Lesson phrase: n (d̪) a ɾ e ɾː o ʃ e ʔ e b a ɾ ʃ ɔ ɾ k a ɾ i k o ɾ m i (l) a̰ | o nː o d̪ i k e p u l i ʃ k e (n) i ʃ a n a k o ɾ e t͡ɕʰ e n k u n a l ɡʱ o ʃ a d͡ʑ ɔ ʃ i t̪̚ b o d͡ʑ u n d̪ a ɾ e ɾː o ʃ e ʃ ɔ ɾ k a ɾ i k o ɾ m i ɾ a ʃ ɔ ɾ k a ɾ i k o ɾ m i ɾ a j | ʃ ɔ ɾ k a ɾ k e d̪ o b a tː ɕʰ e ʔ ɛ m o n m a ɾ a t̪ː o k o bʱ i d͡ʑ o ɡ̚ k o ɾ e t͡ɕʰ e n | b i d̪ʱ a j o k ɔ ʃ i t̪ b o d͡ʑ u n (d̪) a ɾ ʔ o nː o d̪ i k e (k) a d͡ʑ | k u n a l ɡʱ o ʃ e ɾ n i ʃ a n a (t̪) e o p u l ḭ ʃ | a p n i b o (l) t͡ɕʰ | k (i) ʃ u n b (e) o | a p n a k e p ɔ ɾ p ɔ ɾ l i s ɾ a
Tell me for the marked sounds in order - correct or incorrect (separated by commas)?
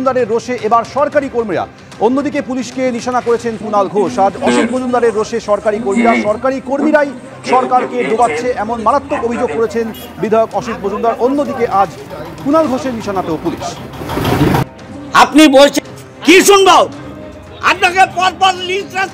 correct, incorrect, correct, correct, incorrect, correct, correct, correct, incorrect